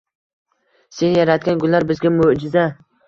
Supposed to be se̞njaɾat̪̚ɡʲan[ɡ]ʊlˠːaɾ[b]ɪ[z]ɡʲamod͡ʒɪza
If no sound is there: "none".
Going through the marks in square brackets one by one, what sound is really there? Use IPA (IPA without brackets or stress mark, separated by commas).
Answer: ɡ, b, z